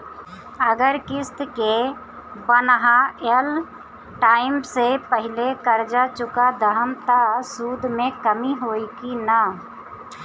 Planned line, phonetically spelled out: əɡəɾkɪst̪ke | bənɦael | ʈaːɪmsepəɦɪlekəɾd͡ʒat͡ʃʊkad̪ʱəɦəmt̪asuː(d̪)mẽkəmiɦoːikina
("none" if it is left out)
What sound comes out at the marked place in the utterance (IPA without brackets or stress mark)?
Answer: d̪